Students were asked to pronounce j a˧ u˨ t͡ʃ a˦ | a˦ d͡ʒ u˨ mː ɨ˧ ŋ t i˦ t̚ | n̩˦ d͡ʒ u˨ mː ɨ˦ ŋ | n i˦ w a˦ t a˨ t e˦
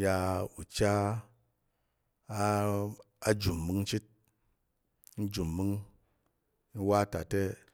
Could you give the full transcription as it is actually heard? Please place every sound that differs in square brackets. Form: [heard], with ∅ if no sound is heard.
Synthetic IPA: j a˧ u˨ t͡ʃ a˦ | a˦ d͡ʒ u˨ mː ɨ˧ ŋ [t͡ʃ] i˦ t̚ | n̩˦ d͡ʒ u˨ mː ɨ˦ ŋ | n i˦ w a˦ t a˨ t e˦